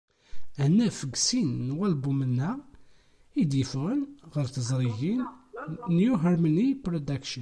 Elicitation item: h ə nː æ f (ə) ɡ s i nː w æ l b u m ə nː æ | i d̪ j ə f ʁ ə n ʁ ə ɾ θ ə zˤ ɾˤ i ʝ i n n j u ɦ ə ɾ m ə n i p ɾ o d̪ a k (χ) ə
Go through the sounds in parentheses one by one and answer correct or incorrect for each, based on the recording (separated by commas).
correct, incorrect